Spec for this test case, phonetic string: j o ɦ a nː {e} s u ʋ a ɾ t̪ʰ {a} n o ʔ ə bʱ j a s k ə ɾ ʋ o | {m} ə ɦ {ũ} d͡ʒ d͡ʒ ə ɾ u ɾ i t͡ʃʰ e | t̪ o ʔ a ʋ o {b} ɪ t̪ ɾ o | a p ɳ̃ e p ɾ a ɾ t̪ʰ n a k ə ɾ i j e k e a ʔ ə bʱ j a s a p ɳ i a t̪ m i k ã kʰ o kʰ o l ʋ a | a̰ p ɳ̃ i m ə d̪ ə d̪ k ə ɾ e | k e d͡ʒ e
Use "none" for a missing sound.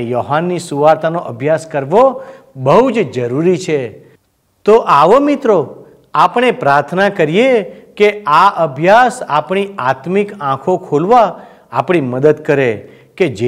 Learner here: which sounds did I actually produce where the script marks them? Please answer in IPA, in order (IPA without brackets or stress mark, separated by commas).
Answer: i, a, b, u, m